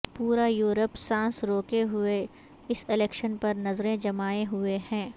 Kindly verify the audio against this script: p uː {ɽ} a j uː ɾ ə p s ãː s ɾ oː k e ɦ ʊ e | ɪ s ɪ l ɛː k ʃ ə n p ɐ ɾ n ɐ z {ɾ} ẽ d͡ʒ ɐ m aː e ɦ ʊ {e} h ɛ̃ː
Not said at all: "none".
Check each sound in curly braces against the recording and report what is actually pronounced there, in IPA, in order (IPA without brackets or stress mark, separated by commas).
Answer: ɾ, ɾ, e